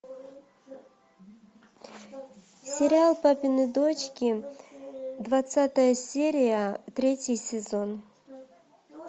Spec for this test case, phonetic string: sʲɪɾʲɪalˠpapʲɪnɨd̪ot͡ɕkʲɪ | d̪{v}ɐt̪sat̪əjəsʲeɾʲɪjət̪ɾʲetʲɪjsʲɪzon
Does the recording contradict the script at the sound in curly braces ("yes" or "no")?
no